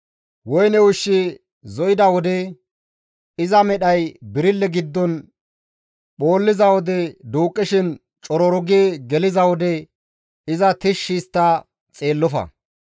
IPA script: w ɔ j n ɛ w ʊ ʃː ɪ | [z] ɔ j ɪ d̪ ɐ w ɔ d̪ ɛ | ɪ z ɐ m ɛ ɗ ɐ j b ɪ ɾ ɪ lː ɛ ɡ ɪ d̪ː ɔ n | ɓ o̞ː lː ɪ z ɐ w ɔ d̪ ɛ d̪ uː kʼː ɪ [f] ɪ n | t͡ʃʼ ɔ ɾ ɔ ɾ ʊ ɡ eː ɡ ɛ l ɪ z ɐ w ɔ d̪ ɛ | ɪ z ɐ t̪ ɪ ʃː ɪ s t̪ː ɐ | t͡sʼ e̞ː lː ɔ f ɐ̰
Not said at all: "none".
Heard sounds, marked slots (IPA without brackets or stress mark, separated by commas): z, ʃ